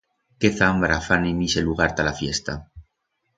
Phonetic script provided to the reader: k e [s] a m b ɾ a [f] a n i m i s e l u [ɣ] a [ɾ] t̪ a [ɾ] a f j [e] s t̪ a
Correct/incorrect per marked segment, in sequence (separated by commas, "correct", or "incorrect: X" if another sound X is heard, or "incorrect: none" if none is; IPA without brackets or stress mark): incorrect: θ, correct, correct, correct, incorrect: l, correct